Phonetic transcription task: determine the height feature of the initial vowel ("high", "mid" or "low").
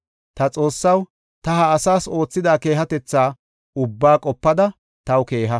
low